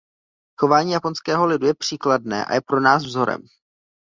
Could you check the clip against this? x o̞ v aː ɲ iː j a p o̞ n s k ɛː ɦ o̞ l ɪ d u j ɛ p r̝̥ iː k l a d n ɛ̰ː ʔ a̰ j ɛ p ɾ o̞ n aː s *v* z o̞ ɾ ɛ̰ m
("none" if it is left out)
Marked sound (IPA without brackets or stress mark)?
v